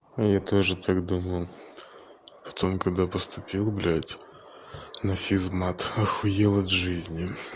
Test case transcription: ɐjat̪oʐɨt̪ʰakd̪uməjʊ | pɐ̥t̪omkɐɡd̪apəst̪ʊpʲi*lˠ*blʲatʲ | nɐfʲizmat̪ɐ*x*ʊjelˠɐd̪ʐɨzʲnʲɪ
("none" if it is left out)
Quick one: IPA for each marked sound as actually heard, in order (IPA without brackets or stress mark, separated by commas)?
lˠ, x